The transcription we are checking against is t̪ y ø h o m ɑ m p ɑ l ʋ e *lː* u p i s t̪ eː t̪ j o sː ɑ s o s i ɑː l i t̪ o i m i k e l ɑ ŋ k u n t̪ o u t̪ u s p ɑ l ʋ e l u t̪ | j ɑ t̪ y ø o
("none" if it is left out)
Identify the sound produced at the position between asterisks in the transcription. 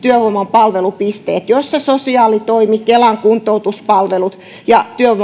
l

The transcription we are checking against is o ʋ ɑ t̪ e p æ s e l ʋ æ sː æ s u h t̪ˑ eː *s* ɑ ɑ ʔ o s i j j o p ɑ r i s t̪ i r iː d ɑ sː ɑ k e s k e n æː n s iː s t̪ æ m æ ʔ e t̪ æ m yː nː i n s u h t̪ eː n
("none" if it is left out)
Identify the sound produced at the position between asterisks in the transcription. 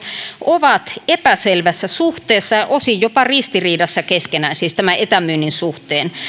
sː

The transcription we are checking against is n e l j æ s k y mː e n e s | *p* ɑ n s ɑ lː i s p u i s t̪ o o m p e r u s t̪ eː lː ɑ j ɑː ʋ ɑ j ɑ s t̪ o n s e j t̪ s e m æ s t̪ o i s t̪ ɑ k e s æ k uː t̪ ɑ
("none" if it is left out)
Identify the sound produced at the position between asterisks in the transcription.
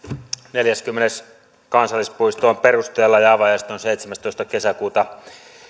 k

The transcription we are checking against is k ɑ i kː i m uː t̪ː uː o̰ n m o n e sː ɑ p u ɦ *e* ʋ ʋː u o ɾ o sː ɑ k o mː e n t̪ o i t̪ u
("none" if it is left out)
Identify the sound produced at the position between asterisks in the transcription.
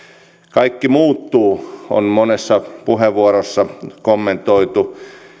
e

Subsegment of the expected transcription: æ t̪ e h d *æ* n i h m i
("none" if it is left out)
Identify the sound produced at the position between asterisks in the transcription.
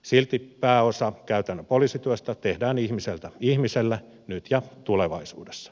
æː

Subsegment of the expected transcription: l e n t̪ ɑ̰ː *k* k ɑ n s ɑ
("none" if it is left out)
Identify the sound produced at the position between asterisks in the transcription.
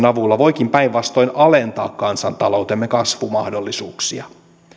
k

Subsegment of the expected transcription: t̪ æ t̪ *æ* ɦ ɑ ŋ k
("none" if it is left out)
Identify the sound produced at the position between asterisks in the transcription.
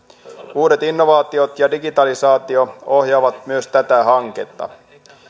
æ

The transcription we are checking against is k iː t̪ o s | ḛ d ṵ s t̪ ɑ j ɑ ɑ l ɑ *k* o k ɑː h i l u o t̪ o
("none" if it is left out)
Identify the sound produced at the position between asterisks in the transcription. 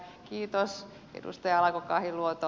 k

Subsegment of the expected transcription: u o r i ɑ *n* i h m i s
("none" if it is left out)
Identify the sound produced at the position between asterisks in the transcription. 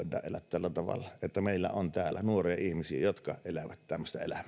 none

